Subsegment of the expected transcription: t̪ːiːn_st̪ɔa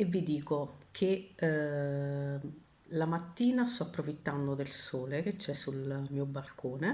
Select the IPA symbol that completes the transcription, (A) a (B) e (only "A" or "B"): A